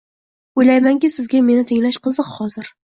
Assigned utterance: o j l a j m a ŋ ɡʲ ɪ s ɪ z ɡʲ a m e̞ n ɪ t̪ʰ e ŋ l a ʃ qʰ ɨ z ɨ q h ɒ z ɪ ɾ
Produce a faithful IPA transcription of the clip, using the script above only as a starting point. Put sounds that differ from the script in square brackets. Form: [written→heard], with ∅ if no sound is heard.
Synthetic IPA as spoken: o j l a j m a ŋ [ɡʲ→kʲ] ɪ s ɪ z ɡʲ a m e̞ n ɪ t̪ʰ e ŋ l a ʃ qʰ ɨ z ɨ q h ɒ z ɪ ɾ